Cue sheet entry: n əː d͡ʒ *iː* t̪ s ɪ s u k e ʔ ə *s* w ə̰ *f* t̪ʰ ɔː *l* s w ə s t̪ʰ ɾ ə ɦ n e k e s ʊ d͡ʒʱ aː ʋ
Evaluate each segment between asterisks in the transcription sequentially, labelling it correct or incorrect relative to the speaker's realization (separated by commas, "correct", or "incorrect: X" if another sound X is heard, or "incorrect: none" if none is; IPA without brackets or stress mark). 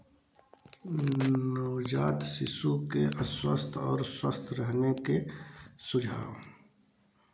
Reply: incorrect: aː, correct, incorrect: s, incorrect: ɾ